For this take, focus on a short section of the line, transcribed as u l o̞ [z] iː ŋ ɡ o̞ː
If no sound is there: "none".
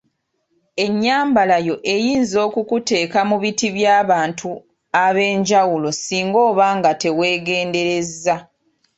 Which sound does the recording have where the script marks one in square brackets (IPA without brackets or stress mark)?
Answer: s